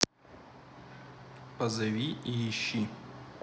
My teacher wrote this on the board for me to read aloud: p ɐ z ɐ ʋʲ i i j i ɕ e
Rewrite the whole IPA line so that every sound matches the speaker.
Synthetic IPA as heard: p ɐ z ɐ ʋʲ i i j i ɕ i